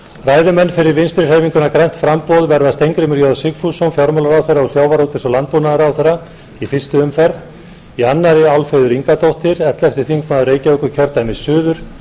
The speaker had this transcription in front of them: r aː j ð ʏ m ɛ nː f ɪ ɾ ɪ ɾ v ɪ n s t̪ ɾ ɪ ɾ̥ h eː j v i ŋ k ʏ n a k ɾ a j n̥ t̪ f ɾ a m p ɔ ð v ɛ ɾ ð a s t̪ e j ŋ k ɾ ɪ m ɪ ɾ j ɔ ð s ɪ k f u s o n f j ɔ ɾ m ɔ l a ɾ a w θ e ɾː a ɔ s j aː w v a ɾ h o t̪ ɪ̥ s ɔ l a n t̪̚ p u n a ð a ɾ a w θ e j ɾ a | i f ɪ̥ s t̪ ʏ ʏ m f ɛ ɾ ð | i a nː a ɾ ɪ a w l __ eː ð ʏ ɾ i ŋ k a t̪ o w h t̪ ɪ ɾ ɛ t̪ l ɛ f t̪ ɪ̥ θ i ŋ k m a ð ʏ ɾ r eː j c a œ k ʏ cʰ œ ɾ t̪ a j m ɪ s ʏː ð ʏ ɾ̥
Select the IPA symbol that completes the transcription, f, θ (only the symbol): f